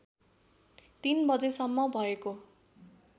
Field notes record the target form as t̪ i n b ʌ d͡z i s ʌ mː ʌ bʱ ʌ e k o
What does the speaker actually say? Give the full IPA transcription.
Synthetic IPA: t̪ i n b ʌ d͡z e s ʌ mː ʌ bʱ ʌ e k o